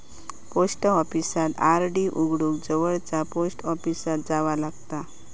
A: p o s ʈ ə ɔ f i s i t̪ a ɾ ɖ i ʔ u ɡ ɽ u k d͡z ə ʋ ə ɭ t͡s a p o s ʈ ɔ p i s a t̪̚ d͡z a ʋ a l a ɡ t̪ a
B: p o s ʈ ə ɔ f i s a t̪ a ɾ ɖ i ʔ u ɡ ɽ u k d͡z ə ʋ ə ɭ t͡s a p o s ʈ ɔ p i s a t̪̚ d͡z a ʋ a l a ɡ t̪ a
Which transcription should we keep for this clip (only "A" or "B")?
B